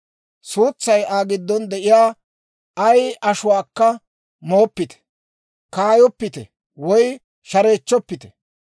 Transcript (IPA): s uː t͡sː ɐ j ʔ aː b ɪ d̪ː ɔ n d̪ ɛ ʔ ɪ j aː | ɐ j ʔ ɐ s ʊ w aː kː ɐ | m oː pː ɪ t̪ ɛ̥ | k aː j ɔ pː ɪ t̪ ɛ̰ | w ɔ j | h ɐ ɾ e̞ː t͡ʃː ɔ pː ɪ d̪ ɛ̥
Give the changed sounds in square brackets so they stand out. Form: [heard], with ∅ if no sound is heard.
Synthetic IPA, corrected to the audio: s uː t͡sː ɐ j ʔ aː [ɡ] ɪ d̪ː ɔ n d̪ ɛ ʔ ɪ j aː | ɐ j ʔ ɐ [ʃ] ʊ w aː kː ɐ | m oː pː ɪ t̪ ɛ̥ | k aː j ɔ pː ɪ t̪ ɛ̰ | w ɔ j | [ʃ] ɐ ɾ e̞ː t͡ʃː ɔ pː ɪ [t̪] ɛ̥